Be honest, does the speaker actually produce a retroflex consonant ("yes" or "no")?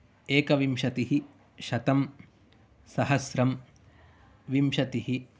no